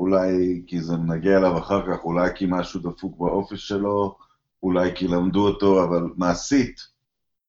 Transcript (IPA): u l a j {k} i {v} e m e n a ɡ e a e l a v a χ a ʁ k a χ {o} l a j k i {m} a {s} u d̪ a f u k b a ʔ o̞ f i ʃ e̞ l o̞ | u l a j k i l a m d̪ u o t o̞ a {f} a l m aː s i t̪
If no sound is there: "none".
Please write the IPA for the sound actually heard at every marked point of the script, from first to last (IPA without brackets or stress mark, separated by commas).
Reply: k, z, u, m, ʃ, v